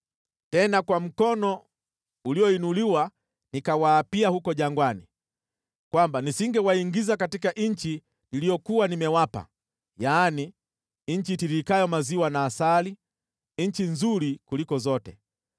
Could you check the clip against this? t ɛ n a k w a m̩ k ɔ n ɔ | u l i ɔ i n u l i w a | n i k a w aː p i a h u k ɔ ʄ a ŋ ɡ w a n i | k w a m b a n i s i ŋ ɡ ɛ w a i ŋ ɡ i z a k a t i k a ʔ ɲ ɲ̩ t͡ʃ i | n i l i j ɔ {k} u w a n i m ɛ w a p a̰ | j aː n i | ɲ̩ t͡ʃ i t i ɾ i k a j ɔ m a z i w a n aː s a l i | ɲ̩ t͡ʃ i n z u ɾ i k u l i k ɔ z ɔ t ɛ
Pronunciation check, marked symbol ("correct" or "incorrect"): correct